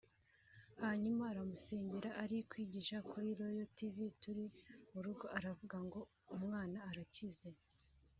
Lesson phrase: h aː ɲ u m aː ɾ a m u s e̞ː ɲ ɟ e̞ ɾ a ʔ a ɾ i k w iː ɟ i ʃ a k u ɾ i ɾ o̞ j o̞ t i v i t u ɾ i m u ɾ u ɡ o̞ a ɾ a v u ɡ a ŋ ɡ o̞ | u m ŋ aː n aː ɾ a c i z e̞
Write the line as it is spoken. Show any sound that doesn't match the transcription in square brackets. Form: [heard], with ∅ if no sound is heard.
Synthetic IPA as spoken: h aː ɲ u m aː ɾ a m u s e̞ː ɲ ɟ e̞ ɾ a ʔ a ɾ i k w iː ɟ i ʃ a k u ɾ i ɾ o̞ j o̞ t i v i t u ɾ i m u ɾ u ɡ o̞ a ɾ a v u ɡ a ŋ ɡ o̞ | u m ŋ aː n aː ɾ a c i z e̞